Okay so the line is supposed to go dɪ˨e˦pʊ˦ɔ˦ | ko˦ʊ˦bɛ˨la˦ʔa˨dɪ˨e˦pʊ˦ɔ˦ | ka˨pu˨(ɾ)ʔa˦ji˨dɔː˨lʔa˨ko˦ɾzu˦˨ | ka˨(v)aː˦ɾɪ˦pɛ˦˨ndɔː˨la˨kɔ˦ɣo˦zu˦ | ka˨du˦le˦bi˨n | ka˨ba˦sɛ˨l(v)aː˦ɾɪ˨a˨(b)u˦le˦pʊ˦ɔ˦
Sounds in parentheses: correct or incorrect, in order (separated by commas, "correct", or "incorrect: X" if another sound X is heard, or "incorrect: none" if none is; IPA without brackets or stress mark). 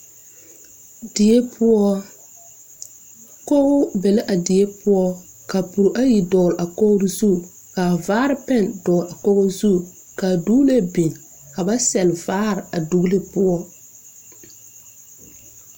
correct, correct, correct, incorrect: d